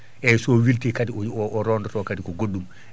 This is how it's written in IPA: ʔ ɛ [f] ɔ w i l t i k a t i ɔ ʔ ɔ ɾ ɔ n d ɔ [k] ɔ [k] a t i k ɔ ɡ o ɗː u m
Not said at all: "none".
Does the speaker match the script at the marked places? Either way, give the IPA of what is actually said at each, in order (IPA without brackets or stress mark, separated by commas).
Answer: s, t, k